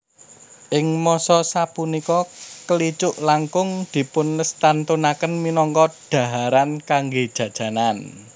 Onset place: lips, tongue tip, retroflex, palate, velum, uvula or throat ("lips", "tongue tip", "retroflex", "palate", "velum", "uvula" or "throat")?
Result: throat